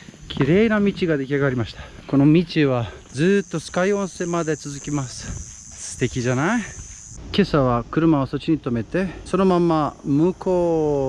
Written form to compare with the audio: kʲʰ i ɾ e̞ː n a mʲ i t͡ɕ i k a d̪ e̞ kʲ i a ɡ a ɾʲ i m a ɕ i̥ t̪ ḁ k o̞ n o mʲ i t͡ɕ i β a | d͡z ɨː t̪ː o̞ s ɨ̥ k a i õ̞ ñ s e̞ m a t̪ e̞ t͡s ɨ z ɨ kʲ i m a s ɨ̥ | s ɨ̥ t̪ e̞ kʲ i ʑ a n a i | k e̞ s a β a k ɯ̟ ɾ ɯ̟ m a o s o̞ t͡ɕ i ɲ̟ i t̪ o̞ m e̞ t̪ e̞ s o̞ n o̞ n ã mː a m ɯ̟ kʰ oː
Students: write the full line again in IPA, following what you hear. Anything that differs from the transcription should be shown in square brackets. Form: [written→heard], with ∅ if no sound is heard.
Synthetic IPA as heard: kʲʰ i ɾ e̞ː n a mʲ i t͡ɕ i [k→ɡ] a d̪ e̞ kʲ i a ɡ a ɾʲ i m a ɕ i̥ t̪ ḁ k o̞ n o mʲ i t͡ɕ i β a | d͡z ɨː t̪ː o̞ s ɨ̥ k a i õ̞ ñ s e̞ m a [t̪→d̪] e̞ t͡s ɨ z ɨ kʲ i m a s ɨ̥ | s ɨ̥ t̪ e̞ kʲ i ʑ a n a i | k e̞ s a β a k ɯ̟ ɾ ɯ̟ m a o s o̞ t͡ɕ i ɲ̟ i t̪ o̞ m e̞ t̪ e̞ s o̞ n o̞ [n→m] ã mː a m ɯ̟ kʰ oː